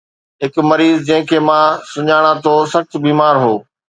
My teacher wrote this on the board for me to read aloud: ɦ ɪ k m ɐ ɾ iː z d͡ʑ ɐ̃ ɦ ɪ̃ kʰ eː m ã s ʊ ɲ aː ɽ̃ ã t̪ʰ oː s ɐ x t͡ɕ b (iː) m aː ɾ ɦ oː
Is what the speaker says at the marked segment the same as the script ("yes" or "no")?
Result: yes